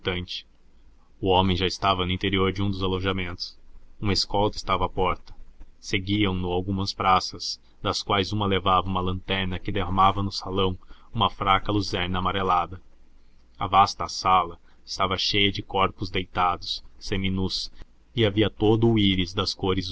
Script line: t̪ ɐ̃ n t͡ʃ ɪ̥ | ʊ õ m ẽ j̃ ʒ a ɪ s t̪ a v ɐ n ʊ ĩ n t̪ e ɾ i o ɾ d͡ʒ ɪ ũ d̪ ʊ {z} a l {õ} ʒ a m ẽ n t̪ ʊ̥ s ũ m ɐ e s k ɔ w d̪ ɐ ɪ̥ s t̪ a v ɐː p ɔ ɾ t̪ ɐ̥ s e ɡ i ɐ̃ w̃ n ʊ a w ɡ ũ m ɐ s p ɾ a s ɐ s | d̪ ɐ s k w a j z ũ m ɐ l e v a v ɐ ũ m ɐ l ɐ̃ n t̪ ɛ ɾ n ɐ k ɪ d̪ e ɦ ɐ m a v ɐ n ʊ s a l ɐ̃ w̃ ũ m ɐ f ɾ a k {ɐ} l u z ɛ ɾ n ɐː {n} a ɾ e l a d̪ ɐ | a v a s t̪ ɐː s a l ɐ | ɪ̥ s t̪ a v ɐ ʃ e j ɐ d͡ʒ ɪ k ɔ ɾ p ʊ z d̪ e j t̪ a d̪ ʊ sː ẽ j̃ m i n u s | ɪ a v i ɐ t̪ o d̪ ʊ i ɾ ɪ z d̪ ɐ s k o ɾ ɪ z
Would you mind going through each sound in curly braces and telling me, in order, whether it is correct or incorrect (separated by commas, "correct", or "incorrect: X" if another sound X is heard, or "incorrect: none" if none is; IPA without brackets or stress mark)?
correct, correct, correct, incorrect: m